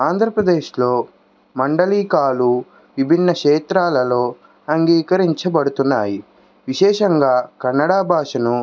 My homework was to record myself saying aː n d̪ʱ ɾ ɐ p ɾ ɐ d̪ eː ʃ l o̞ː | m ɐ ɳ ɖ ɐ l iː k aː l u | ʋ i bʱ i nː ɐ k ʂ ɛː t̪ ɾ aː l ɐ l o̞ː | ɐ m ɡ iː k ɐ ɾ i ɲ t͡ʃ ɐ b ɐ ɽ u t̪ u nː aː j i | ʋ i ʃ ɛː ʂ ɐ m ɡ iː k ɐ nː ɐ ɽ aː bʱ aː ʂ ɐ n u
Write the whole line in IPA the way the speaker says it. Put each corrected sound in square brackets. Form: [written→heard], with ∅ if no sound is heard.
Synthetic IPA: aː n d̪ʱ ɾ ɐ p ɾ ɐ d̪ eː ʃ l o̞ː | m ɐ ɳ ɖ ɐ l iː k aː l u | ʋ i bʱ i nː ɐ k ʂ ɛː t̪ ɾ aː l ɐ l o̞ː | ɐ [m→ŋ] ɡ iː k ɐ ɾ i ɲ t͡ʃ ɐ b ɐ ɽ u t̪ u nː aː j i | ʋ i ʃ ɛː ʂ ɐ [m→ŋ] ɡ [iː→aː] k ɐ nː ɐ ɽ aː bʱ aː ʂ ɐ n u